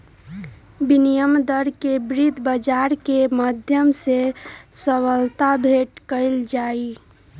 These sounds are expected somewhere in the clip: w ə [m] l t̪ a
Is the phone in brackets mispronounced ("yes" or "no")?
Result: yes